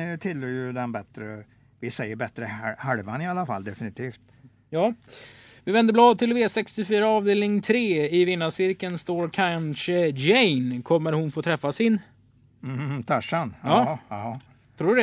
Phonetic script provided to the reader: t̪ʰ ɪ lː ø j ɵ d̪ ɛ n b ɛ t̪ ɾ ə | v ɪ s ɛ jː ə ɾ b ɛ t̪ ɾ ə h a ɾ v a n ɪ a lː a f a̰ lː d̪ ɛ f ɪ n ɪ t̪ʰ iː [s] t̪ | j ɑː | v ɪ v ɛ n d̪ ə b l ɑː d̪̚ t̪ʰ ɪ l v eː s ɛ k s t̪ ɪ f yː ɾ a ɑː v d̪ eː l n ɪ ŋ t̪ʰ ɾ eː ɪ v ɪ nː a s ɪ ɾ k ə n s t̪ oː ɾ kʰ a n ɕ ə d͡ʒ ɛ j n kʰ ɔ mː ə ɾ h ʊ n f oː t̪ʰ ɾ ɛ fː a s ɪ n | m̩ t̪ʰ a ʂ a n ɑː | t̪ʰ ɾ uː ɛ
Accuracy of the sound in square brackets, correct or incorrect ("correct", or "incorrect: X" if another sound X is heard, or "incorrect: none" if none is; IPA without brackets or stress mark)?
incorrect: f